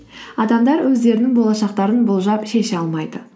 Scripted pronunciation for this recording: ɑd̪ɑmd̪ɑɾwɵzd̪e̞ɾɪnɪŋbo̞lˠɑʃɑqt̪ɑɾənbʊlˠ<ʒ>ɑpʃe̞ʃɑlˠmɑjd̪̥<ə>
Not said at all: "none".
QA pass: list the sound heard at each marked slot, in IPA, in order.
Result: ʒ, ə

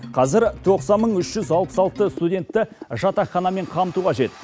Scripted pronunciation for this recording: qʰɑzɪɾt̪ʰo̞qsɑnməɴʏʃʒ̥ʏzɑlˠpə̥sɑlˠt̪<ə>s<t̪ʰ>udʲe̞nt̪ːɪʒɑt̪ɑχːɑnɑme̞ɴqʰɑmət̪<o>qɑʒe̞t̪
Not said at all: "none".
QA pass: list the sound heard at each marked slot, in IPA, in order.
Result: ə, t̪, u

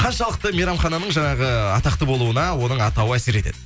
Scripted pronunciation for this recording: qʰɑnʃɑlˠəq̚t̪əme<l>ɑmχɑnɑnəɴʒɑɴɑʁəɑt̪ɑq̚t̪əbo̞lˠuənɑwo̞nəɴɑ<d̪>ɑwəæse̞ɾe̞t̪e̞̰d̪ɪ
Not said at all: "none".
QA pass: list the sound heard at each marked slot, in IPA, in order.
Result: ɾ, t̪

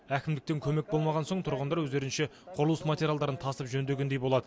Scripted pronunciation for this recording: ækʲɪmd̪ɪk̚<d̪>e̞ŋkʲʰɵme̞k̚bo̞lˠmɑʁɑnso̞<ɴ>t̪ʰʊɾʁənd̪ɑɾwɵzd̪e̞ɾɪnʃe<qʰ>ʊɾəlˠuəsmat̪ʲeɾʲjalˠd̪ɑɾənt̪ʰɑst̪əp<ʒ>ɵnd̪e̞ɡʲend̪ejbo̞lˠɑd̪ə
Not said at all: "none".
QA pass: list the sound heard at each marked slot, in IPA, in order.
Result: t̪, ɴ, qʰ, ʒ

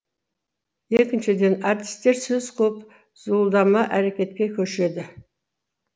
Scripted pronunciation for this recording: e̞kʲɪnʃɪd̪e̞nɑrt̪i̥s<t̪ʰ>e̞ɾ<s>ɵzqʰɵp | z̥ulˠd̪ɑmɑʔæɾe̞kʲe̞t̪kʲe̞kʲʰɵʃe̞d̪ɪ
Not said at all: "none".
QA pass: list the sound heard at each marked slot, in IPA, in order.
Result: t̪, s

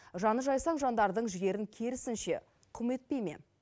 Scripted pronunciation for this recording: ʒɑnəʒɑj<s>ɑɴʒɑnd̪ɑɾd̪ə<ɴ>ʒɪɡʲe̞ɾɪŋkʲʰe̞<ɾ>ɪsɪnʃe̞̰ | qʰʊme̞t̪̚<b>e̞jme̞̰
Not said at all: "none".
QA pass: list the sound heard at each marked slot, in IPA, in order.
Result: s, ɴ, ɾ, p

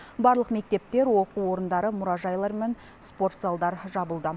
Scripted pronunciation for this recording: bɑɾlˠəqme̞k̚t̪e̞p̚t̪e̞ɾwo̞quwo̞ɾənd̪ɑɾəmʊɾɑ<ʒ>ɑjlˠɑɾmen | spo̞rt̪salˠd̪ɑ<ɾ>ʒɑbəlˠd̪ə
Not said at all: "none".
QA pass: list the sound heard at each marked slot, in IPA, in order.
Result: ʒ, ɾ

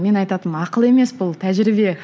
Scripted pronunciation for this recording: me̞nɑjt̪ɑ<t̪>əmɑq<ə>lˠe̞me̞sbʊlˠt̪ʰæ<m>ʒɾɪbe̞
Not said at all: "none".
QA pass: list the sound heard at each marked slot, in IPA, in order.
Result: t̪, ə, none

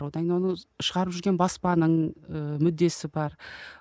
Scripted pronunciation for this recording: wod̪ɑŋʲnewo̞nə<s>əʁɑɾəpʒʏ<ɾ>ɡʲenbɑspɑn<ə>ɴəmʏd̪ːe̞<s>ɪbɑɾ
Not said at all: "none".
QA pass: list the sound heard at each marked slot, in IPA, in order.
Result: ʃ, ɾ, ə, s

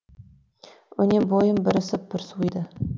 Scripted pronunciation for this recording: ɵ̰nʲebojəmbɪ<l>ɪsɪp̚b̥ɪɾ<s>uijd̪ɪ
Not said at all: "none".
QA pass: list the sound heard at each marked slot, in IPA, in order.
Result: ɾ, s

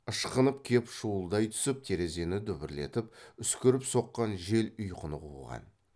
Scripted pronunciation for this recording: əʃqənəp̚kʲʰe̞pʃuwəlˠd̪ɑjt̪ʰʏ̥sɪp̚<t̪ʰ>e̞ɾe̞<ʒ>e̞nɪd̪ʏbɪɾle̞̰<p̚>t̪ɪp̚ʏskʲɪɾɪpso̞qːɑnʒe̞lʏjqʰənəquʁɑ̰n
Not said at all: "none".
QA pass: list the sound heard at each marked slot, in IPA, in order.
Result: t̪ʰ, z, none

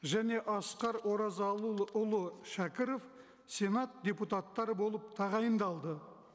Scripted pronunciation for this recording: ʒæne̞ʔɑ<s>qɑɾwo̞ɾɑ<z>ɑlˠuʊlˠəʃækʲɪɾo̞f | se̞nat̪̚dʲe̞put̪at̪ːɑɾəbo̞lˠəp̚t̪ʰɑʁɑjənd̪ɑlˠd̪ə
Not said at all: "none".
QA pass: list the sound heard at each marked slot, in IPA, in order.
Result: s, z

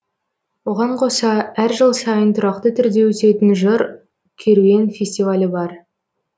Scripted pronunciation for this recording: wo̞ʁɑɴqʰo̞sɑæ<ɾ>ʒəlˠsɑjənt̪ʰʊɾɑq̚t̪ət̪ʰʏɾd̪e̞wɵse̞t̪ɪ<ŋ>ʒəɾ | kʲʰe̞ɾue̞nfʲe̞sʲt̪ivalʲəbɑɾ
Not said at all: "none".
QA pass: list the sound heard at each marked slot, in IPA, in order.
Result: ɾ, n

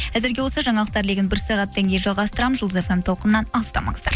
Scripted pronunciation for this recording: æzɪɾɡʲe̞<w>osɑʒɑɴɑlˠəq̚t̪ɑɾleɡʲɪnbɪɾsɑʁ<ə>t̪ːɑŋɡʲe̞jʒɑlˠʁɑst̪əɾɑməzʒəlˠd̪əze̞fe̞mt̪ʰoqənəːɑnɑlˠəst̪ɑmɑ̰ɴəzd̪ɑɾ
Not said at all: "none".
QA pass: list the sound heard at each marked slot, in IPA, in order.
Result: w, ɑ

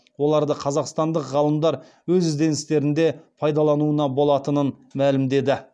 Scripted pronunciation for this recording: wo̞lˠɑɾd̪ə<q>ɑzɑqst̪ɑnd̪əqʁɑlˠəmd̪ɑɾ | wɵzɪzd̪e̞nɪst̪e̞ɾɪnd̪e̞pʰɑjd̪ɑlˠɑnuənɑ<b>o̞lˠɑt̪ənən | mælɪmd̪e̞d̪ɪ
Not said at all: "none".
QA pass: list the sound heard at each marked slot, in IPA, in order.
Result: qʰ, b

